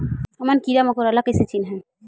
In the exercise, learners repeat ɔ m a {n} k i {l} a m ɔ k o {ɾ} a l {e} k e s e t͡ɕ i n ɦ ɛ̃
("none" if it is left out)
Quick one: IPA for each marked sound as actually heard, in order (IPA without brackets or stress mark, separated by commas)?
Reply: n, ɾ, ɾ, a